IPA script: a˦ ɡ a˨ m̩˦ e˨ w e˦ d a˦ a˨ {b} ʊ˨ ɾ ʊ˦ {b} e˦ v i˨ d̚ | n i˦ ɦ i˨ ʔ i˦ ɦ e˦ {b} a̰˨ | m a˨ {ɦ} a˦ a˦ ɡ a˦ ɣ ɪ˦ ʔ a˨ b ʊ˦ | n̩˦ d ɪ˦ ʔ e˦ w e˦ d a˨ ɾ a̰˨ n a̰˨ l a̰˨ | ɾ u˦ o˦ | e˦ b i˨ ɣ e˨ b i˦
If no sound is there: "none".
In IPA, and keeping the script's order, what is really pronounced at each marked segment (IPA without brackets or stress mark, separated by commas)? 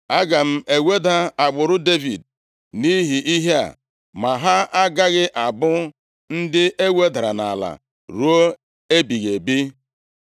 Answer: ɡ͡b, d, none, ɦ